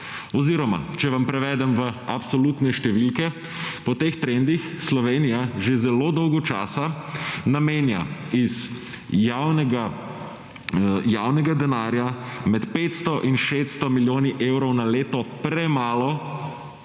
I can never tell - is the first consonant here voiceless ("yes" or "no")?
no